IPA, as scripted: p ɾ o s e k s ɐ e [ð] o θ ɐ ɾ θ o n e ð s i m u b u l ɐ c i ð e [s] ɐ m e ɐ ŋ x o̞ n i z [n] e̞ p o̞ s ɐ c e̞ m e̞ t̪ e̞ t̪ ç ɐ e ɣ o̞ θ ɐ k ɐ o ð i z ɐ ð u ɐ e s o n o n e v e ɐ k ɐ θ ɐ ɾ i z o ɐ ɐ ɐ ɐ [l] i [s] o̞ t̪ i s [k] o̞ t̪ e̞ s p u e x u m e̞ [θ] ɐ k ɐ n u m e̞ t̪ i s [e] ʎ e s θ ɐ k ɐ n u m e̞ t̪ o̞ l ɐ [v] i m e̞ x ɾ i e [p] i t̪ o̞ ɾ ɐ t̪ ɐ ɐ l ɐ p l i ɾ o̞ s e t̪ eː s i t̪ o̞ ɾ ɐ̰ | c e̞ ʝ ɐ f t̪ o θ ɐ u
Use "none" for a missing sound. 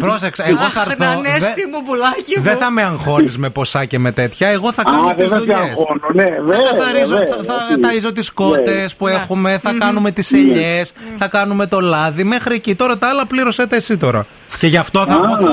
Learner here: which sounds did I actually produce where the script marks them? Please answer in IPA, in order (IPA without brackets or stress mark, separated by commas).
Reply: ɣ, θ, m, ɾ, z, k, θ, e, ð, c